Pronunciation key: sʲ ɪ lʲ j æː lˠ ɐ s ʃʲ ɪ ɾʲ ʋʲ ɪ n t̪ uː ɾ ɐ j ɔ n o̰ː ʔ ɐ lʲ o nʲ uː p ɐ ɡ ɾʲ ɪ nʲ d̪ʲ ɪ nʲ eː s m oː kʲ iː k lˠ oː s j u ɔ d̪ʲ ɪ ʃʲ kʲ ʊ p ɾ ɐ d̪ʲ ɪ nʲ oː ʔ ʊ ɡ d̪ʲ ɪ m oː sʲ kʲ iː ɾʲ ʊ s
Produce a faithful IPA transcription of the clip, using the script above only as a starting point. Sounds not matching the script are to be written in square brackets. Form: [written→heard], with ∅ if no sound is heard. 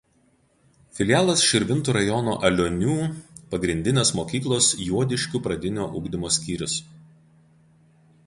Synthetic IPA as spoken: [sʲ→fʲ] ɪ lʲ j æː lˠ ɐ s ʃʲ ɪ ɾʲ ʋʲ ɪ n t̪ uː ɾ ɐ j ɔ n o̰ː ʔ ɐ lʲ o nʲ uː p ɐ ɡ ɾʲ ɪ nʲ d̪ʲ ɪ nʲ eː s m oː kʲ iː k lˠ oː s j u ɔ d̪ʲ ɪ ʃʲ kʲ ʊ p ɾ ɐ d̪ʲ ɪ nʲ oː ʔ ʊ ɡ d̪ʲ ɪ m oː sʲ kʲ iː ɾʲ ʊ s